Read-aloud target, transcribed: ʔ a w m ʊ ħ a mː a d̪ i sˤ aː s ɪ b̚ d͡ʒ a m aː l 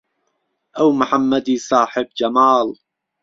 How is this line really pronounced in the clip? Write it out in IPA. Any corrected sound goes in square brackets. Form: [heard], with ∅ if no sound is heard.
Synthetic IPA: ʔ a w m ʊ ħ a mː a d̪ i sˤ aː [ħ] ɪ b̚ d͡ʒ a m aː l